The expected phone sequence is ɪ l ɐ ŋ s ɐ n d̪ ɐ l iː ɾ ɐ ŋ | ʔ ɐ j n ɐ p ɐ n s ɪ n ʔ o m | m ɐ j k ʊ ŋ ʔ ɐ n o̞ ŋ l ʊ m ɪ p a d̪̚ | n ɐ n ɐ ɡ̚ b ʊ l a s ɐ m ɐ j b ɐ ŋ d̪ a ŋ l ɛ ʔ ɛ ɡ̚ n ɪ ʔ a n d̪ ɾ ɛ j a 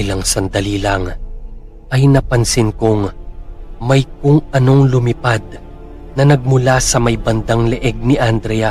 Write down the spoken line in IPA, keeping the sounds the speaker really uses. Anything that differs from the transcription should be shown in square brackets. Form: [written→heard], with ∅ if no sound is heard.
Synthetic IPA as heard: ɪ l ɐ ŋ s ɐ n d̪ ɐ l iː [ɾ→l] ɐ ŋ | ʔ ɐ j n ɐ p ɐ n s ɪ n [ʔ→k] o [m→ŋ] | m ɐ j k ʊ ŋ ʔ ɐ n o̞ ŋ l ʊ m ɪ p a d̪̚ | n ɐ n ɐ ɡ̚ [b→m] ʊ l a s ɐ m ɐ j b ɐ [ŋ→n] d̪ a ŋ l ɛ ʔ ɛ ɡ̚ n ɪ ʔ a n d̪ ɾ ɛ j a